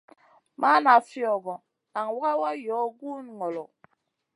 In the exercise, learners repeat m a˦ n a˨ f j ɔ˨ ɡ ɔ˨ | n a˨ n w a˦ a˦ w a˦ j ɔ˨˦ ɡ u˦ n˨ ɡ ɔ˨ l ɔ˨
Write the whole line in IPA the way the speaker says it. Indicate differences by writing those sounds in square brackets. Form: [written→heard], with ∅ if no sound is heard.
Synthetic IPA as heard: m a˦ n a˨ f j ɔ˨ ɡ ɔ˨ | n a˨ [n→ŋ] w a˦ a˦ w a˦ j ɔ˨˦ ɡ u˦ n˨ [ɡ→ŋ] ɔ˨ l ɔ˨